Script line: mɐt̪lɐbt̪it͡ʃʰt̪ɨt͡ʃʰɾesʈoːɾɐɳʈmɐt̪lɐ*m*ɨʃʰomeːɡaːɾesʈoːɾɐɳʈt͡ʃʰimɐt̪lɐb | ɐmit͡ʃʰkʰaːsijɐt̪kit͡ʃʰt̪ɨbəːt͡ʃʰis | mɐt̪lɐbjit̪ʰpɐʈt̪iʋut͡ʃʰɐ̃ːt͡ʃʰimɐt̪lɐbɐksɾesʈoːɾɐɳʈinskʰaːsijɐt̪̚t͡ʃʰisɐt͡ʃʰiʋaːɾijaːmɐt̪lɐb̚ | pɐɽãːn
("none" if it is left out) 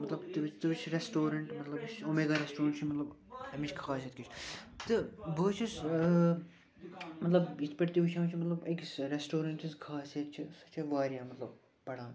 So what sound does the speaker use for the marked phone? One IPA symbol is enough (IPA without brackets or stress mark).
b